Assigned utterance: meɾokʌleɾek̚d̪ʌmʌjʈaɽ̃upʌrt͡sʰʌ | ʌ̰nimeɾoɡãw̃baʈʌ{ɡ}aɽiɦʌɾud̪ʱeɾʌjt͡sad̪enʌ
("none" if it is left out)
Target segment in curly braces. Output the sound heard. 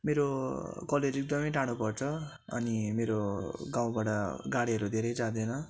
ɡ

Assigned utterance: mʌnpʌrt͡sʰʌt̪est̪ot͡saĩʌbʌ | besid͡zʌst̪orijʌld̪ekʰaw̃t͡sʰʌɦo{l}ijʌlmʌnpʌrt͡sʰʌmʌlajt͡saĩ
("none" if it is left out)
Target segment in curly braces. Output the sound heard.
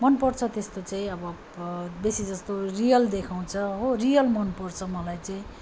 r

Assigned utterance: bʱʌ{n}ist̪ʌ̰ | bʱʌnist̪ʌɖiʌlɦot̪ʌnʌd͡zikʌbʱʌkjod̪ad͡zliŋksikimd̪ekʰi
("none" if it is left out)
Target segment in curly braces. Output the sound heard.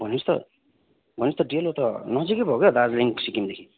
n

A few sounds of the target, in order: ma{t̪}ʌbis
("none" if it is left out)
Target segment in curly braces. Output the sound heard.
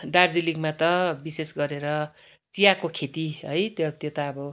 t̪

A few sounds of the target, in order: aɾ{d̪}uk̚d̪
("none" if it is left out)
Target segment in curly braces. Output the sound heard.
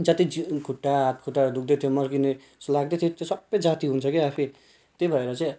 d̪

